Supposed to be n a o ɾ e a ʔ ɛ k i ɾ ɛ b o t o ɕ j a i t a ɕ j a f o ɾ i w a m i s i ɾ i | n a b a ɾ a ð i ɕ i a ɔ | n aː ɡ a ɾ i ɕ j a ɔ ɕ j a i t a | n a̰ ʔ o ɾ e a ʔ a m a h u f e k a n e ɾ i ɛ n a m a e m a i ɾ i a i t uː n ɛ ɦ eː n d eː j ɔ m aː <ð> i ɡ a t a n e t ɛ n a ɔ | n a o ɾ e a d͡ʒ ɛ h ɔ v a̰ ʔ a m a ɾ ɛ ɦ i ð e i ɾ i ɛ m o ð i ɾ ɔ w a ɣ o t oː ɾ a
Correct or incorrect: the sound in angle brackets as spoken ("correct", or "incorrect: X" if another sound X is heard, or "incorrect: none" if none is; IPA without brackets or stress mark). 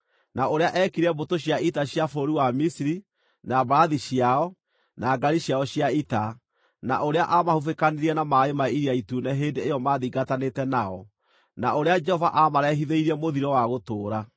correct